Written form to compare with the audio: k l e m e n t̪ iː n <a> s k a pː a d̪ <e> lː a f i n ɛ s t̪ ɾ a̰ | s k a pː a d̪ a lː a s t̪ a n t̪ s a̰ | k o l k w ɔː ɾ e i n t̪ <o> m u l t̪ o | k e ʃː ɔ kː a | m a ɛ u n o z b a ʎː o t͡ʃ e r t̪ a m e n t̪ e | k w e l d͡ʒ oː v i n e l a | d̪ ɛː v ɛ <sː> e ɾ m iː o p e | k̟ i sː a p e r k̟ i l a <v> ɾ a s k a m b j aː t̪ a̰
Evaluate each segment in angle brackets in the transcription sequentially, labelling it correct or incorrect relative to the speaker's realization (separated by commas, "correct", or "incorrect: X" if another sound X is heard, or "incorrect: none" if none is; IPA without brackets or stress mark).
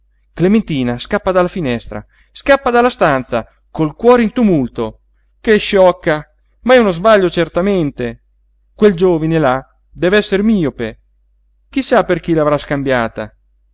correct, incorrect: a, incorrect: u, correct, correct